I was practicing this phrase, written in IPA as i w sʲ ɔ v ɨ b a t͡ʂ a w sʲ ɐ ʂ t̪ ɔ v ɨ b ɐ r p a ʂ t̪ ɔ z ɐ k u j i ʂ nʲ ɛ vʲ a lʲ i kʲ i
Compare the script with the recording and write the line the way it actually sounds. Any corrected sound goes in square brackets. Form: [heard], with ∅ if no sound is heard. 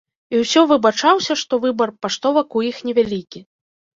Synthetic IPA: i w sʲ ɔ v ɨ b a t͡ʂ a w sʲ ɐ ʂ t̪ ɔ v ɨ b ɐ r p a ʂ t̪ ɔ [v] ɐ k u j i [x] nʲ ɛ vʲ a lʲ i kʲ i